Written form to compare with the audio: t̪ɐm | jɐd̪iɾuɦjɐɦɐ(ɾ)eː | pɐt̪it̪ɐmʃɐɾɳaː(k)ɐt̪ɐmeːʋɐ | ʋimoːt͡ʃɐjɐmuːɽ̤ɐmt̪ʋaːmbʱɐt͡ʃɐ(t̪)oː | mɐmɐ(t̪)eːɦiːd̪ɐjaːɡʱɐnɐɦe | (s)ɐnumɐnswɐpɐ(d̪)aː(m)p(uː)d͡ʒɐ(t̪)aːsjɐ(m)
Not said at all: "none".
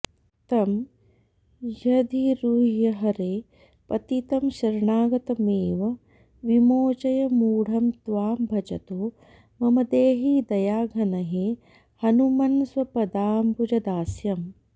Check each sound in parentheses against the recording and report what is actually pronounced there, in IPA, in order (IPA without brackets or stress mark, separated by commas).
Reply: ɾ, ɡ, t̪, d̪, h, d̪, m, u, d̪, m